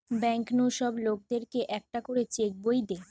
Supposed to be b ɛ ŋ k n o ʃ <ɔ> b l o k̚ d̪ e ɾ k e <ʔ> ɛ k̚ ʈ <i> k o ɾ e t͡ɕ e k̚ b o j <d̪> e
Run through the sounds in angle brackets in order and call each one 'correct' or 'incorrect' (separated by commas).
correct, correct, incorrect, correct